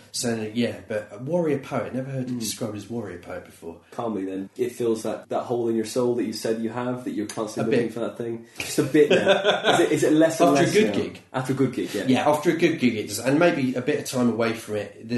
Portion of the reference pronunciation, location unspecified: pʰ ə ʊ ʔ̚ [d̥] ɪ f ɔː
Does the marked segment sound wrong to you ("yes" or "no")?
yes